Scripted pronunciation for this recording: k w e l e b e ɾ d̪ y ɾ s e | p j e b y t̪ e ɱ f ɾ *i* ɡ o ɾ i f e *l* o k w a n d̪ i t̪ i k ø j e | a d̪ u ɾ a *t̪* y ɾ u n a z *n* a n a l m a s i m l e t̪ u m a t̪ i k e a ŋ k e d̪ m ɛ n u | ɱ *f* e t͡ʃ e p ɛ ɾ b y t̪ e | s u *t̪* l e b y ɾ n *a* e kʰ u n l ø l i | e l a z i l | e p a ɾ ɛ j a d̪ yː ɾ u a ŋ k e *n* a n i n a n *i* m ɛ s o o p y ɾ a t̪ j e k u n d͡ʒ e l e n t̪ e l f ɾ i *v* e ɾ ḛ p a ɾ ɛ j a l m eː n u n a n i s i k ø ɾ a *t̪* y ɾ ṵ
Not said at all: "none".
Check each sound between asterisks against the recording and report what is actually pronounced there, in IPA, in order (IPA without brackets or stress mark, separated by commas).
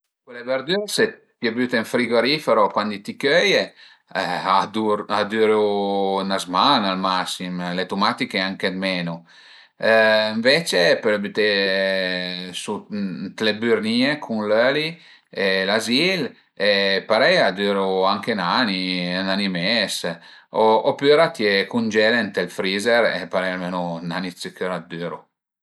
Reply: i, ɾ, d̪, m, v, t̪, i, n, i, z, d̪